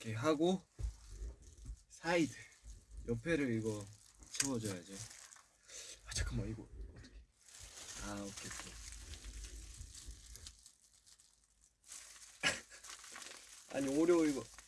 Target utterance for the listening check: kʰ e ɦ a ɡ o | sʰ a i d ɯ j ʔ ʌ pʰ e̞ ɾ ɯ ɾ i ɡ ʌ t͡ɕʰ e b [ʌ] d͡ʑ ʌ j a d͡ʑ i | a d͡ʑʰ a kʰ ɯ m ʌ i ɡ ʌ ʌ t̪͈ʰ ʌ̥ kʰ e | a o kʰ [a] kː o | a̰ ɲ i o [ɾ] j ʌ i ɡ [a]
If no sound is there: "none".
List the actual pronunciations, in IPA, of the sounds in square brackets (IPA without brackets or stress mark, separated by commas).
ʌ, e, ɾ, ʌ